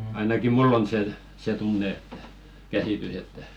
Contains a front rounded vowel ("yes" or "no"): yes